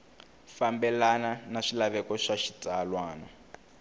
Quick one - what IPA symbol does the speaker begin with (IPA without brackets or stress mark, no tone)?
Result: f